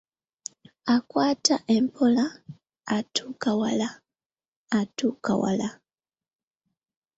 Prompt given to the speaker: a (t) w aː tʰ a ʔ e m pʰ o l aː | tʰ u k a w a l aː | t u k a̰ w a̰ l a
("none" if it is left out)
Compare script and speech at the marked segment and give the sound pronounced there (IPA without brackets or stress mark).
k